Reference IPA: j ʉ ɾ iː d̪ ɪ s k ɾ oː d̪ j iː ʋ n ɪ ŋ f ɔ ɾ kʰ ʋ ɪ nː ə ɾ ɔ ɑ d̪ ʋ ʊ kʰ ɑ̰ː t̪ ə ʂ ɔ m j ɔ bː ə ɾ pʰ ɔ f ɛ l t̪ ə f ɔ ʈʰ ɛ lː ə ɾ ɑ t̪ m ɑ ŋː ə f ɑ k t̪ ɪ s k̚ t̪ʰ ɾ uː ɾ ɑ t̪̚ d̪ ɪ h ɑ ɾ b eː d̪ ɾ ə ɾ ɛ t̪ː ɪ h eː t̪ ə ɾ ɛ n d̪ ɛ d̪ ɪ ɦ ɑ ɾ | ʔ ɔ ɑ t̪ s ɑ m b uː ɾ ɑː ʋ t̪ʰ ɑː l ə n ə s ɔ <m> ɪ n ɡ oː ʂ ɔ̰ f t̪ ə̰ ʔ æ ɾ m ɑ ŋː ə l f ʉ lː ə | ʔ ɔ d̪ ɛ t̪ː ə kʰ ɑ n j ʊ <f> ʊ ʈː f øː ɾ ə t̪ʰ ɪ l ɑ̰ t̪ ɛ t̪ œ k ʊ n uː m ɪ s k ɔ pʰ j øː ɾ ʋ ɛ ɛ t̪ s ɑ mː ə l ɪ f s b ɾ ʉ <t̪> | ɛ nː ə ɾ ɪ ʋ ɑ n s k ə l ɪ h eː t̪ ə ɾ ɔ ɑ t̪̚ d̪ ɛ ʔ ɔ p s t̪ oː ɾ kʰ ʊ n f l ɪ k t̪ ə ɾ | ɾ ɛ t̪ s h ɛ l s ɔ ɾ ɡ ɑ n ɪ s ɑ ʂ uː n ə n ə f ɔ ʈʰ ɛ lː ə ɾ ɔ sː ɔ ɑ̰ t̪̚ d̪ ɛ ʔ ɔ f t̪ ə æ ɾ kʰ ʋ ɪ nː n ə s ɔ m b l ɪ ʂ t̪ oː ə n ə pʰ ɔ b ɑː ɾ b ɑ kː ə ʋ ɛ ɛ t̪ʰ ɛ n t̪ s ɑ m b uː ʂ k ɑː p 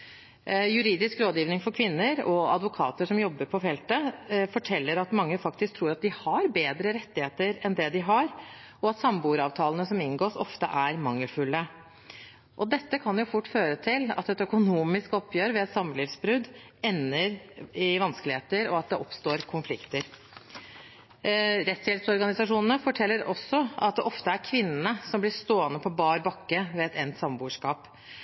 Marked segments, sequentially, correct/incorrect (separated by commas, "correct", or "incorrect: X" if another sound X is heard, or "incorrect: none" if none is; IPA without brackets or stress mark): correct, correct, incorrect: d̪